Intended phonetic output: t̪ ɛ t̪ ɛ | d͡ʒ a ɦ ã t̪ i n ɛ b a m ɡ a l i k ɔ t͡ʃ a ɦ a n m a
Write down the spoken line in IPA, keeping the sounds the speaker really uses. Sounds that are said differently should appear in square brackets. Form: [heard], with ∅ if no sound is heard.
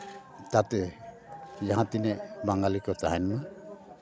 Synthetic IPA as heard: t̪ [a] t̪ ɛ | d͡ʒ a ɦ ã t̪ i n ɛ b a [ŋ] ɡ a l i k ɔ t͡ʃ a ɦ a n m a